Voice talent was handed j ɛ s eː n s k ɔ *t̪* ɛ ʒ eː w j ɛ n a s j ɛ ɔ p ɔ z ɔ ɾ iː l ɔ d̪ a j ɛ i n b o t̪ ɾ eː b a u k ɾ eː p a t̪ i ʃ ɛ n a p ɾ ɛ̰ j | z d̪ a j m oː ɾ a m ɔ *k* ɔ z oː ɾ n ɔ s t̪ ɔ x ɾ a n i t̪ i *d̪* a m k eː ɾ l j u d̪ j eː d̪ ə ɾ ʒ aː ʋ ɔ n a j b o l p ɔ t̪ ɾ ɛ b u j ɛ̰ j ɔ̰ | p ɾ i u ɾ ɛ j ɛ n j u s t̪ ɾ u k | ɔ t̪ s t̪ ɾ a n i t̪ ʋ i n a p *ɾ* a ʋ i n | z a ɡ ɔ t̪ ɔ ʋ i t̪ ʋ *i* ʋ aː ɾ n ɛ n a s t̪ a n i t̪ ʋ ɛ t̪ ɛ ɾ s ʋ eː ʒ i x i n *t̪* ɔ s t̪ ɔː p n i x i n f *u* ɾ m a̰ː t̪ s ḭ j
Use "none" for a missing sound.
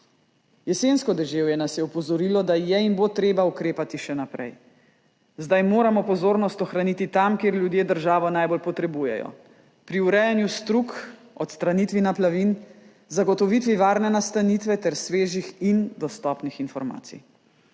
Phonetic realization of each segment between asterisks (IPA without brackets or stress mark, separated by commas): d̪, p, t̪, l, i, d̪, ɔ